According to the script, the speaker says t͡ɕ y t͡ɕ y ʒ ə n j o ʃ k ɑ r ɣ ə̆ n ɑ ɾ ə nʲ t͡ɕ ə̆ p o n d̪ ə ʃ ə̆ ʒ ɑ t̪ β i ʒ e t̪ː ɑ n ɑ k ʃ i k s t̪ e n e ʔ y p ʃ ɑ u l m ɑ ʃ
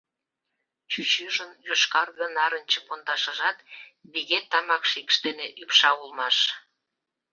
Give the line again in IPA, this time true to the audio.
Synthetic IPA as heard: t͡ɕ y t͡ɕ y ʒ ə n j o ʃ k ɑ r ɣ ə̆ n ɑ ɾ ə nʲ t͡ɕ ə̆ p o n d̪ ɑ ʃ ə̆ ʒ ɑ t̪ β i ɣ e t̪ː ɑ m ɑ k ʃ i k ʃ t̪ e n e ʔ y p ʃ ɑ u l m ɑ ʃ